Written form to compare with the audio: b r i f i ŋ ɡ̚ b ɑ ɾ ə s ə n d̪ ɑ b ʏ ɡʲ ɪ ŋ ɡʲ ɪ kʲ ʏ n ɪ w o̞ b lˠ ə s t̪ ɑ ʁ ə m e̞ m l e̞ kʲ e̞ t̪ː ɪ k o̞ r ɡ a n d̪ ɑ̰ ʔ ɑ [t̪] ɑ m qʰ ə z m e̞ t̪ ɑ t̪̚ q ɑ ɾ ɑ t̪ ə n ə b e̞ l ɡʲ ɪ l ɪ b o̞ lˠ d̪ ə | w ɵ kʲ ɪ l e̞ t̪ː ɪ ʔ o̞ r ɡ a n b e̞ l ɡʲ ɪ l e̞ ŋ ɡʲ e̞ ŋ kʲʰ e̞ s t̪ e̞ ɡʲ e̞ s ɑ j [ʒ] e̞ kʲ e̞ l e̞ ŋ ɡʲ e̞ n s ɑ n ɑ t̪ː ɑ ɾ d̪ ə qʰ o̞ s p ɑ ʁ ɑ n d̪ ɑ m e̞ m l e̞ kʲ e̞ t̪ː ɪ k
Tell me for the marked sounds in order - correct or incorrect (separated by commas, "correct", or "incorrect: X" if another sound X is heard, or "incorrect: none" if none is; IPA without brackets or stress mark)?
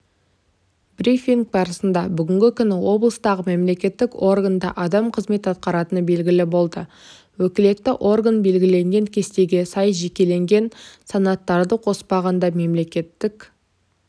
incorrect: d̪, correct